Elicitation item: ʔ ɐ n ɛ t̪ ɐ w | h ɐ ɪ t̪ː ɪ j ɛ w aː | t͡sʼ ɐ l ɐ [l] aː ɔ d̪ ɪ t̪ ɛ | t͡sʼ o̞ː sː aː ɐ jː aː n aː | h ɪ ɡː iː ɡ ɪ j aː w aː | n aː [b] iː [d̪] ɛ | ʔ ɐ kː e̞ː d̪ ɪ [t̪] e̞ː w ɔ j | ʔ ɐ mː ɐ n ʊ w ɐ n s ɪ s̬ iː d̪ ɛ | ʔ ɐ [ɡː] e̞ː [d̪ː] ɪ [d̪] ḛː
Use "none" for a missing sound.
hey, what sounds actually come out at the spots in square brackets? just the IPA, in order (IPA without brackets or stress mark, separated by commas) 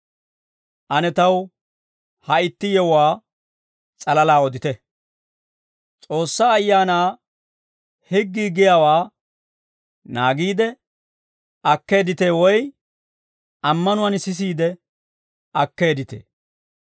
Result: l, ɡ, d̪, t̪, kː, d̪, t̪